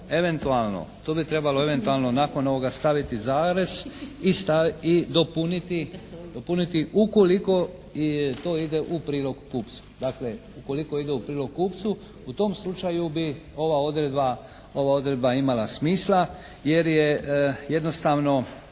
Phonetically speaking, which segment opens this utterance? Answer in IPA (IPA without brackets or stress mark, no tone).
e̞